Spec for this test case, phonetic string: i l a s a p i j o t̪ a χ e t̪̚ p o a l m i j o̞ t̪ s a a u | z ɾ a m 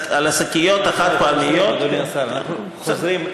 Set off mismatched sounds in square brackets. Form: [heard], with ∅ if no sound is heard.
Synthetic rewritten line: [a] l a s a [k] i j o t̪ a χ [a] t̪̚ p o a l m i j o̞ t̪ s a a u | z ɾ [i] m